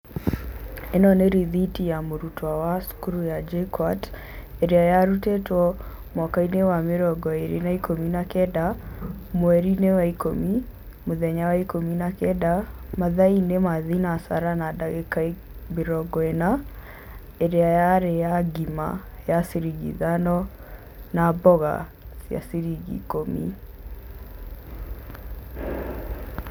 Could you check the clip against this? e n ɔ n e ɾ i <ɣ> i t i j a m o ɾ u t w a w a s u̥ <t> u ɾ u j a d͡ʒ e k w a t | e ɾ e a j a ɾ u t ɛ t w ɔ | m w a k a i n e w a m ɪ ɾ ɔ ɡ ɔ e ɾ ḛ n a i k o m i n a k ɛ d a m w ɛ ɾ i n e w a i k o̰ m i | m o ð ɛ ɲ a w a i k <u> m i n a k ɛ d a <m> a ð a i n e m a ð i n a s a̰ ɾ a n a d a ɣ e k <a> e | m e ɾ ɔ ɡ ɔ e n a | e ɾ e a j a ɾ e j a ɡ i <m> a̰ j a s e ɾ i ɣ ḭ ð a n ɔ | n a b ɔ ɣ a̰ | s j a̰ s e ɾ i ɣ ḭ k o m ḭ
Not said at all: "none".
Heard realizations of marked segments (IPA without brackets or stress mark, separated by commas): ð, k, o, m, a, m